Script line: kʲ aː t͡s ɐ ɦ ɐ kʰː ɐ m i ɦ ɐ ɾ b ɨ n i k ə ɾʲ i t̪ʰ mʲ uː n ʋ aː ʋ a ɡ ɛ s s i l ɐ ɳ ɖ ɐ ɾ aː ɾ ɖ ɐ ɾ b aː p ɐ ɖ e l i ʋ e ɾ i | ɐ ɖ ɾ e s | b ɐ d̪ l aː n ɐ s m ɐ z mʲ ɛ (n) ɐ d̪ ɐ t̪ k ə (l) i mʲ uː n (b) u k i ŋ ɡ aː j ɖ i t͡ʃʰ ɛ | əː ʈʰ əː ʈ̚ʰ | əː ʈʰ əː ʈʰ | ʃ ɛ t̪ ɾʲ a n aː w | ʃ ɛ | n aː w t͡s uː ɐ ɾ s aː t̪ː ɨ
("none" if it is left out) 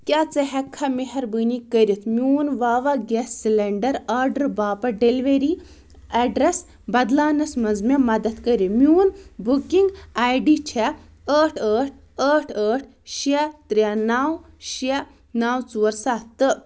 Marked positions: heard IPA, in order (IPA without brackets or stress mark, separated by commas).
m, ɾ, b